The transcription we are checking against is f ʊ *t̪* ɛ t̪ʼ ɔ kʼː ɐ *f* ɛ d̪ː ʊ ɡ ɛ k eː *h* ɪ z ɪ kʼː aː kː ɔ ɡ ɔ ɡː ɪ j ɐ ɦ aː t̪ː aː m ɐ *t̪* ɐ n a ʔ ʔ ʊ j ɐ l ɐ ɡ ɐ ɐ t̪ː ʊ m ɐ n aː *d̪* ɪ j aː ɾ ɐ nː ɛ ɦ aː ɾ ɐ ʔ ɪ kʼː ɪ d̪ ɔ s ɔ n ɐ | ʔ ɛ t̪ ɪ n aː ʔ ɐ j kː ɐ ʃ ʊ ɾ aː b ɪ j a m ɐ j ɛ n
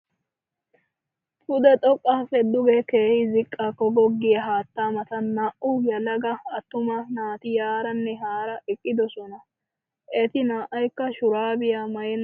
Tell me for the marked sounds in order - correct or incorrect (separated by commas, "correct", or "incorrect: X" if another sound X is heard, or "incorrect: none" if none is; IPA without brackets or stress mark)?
incorrect: d̪, correct, correct, correct, incorrect: t̪